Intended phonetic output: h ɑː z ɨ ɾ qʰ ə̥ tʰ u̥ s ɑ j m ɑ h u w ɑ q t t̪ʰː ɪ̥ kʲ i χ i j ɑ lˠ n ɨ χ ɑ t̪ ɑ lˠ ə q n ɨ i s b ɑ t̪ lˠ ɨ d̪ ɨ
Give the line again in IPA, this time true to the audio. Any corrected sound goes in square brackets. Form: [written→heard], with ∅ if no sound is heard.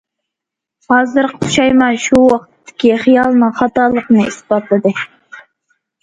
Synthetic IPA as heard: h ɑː z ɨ ɾ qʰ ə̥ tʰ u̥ [s→ʃ] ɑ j m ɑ [h→ʃ] u w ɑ q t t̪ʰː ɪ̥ kʲ i χ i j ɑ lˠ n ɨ χ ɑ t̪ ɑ lˠ ə q n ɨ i s b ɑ t̪ lˠ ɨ d̪ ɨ